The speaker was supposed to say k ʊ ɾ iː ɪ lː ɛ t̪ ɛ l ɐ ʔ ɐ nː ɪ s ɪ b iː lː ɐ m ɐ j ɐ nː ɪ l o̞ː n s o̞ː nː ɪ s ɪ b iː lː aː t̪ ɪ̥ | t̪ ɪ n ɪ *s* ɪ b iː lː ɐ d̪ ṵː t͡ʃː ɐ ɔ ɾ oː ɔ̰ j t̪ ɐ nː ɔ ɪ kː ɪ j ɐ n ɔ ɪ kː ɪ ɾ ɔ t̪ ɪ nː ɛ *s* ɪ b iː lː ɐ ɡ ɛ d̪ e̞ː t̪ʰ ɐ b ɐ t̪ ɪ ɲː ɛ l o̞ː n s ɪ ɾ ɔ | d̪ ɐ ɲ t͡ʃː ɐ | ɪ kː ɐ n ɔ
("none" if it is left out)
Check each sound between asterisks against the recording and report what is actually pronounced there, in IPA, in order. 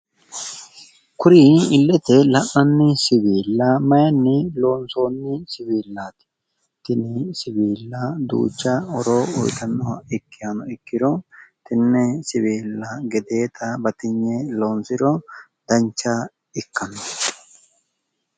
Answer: s, s

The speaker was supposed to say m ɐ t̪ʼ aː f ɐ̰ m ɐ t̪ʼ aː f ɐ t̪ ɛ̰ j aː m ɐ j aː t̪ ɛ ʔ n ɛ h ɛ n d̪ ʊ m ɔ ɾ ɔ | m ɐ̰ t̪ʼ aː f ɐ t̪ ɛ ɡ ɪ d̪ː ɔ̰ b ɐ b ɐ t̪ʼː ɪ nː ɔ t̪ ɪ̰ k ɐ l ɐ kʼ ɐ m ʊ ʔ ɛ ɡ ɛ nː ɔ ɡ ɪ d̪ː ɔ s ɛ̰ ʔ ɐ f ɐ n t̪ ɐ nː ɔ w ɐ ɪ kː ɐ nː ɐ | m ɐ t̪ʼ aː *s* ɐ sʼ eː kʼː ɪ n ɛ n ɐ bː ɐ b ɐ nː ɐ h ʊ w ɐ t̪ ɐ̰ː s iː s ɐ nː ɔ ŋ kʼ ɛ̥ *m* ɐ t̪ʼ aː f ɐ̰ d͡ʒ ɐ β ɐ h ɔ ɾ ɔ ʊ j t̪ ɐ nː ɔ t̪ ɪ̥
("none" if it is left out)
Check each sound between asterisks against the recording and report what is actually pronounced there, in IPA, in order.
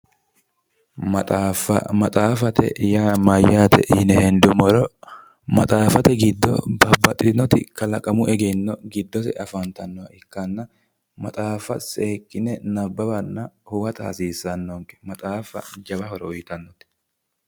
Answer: f, m

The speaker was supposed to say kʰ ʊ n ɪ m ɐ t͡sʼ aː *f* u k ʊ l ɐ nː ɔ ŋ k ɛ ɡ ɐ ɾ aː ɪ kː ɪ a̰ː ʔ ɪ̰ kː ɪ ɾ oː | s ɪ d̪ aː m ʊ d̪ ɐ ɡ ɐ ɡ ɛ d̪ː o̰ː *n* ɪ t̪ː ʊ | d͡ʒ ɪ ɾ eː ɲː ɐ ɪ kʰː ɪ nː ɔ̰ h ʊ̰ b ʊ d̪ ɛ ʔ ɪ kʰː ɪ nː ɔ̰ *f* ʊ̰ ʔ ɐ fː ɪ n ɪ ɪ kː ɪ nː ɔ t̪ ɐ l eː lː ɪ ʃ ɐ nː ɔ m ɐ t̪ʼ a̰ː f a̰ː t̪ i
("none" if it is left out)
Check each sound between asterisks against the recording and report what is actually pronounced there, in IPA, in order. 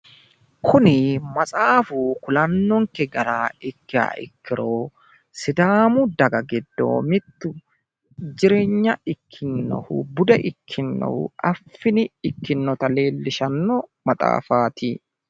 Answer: f, m, h

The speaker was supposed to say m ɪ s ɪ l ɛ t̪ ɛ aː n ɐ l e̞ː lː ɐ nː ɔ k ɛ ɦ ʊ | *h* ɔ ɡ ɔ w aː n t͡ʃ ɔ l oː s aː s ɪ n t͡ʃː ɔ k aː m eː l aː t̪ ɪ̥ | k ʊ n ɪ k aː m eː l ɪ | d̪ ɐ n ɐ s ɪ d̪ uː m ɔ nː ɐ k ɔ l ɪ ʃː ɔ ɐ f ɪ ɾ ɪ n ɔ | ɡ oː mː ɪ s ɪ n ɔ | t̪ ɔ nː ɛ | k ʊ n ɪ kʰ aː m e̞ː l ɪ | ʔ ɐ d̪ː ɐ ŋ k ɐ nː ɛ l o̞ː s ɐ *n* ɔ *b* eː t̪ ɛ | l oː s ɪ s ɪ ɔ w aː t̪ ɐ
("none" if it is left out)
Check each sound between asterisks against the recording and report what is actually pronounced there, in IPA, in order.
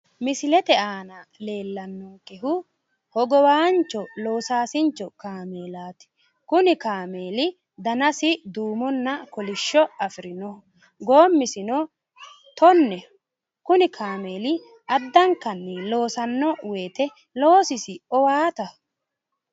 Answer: h, nː, w

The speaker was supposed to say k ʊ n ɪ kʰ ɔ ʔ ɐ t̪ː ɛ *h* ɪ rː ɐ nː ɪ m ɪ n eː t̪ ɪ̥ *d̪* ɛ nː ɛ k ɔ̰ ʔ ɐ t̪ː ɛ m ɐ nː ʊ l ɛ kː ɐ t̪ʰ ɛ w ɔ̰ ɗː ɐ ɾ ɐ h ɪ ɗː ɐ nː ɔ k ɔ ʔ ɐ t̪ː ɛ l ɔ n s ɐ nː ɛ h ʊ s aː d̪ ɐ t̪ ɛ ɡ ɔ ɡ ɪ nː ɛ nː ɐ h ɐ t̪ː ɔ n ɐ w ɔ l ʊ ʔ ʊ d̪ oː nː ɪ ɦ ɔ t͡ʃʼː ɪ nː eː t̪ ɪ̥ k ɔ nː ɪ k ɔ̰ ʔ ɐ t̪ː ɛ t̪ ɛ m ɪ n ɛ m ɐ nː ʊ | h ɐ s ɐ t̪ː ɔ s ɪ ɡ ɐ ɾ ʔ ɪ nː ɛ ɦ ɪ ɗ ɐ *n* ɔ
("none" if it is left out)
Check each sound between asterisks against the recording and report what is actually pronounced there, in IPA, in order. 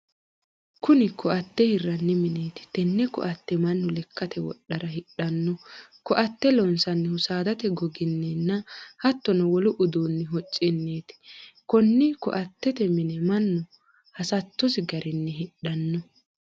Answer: h, t̪, nː

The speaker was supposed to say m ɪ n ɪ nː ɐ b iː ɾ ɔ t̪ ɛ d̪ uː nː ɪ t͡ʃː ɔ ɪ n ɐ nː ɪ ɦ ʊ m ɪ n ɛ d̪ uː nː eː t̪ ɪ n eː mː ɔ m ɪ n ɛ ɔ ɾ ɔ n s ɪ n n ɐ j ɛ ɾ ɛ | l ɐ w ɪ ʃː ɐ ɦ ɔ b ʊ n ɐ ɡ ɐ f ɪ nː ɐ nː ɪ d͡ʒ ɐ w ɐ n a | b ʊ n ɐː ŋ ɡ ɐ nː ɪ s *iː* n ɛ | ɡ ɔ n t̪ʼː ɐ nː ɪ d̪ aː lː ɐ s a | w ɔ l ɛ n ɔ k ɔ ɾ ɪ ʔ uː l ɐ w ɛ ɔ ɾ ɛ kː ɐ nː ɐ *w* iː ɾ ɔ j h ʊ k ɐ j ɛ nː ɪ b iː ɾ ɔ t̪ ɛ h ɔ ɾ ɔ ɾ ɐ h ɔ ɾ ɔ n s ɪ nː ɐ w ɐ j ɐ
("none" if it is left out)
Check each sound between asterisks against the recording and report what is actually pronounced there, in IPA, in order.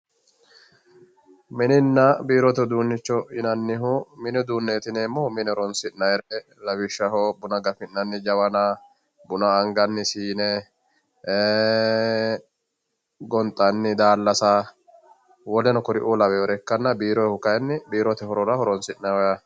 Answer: iː, b

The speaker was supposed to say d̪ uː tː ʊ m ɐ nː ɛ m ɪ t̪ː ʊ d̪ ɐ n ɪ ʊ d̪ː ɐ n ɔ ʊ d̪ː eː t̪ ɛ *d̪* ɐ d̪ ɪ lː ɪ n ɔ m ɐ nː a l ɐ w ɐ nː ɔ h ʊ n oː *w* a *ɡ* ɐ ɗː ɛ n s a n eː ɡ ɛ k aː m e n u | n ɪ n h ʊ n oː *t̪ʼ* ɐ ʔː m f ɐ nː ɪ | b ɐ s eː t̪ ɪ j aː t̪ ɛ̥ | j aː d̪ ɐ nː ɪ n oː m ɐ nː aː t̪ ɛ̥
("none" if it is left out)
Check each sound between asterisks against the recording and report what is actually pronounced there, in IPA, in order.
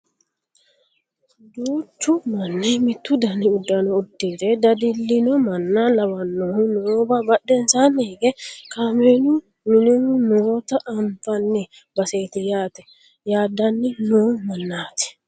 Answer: d̪, b, b, t̪

